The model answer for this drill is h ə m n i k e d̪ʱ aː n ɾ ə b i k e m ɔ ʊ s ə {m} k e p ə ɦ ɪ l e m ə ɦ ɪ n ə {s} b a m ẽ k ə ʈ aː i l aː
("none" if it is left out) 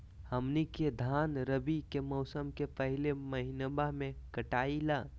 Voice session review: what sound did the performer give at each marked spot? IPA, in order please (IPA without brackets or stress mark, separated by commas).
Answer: m, none